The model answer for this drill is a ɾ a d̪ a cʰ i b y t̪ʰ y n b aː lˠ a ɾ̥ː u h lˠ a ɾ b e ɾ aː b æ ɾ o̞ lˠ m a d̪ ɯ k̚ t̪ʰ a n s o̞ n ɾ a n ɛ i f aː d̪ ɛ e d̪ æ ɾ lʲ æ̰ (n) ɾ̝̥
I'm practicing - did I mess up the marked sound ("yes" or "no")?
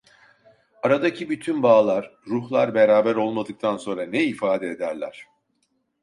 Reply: yes